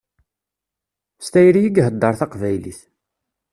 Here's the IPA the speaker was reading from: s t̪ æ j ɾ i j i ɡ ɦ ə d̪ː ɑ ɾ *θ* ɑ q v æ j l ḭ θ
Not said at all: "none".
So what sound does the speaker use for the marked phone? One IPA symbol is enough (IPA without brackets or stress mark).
θ